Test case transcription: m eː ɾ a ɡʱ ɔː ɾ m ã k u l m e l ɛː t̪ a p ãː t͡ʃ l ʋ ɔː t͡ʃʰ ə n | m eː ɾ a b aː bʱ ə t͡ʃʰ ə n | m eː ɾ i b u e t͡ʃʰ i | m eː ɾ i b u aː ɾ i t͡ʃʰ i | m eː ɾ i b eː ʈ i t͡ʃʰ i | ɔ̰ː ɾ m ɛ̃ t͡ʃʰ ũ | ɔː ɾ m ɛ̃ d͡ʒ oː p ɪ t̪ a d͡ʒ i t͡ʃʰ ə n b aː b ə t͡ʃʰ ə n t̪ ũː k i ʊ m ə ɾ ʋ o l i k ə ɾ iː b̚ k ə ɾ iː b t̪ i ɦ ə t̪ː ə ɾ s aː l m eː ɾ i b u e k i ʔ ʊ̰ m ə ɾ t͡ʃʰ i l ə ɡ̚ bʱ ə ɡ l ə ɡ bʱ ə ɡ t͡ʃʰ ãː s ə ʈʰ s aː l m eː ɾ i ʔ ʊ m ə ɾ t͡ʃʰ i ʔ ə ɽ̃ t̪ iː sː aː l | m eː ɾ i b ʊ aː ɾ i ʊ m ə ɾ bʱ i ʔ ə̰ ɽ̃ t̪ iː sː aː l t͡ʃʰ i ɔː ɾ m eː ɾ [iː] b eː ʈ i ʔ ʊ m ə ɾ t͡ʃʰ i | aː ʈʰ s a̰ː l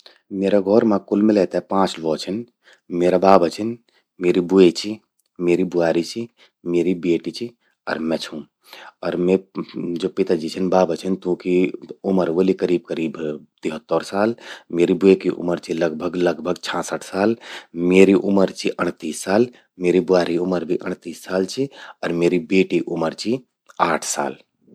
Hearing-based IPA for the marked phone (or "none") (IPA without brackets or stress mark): i